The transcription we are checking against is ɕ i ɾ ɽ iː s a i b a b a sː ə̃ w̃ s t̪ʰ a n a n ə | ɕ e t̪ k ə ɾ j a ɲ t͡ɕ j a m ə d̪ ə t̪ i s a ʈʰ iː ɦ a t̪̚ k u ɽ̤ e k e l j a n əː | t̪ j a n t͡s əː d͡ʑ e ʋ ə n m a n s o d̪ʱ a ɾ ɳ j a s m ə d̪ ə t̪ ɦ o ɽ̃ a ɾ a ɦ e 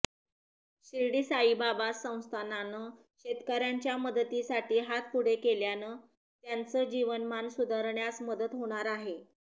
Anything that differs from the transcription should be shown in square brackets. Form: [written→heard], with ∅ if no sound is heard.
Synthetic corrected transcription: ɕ i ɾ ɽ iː s a i b a b a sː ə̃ w̃ s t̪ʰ a n a n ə | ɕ e t̪ k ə ɾ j a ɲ t͡ɕ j a m ə d̪ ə t̪ i s a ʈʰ iː ɦ a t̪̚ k u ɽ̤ e k e l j a n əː | t̪ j a n t͡s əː d͡ʑ [e→i] ʋ ə n m a n s [o→u] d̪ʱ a ɾ ɳ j a s m ə d̪ ə t̪ ɦ o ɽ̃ a ɾ a ɦ e